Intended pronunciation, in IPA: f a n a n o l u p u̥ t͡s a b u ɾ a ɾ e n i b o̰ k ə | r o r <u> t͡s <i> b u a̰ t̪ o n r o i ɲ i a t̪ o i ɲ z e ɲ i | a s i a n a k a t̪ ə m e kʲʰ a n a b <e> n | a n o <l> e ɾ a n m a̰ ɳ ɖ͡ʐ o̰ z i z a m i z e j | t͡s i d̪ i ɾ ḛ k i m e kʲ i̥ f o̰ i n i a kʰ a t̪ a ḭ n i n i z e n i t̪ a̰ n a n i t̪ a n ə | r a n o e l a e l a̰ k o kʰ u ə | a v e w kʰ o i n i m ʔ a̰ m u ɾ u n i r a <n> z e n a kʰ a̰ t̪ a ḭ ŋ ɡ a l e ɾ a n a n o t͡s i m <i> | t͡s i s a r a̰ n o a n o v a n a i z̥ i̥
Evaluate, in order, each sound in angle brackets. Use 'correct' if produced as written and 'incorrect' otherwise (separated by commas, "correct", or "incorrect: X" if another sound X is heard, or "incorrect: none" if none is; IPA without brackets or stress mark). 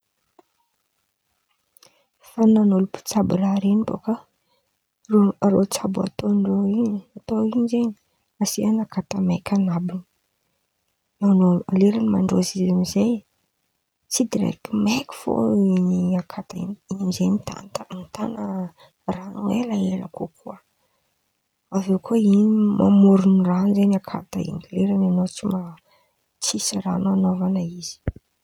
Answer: incorrect: o, incorrect: a, incorrect: i, correct, correct, incorrect: a